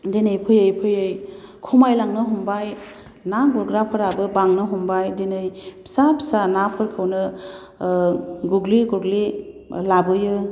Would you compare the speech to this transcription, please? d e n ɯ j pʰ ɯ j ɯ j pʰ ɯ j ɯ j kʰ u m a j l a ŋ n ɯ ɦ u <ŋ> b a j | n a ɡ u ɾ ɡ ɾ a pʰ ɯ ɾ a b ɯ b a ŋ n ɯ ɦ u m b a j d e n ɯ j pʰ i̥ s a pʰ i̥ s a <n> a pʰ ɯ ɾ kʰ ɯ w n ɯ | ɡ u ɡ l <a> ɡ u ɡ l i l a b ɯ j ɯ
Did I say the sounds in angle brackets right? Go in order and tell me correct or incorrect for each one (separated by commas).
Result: incorrect, correct, incorrect